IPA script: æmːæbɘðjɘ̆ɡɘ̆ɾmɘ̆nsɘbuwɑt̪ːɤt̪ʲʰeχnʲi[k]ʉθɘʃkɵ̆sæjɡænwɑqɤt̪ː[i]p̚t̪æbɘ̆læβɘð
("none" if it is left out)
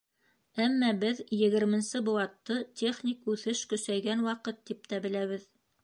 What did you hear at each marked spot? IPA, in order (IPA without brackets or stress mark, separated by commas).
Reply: k, i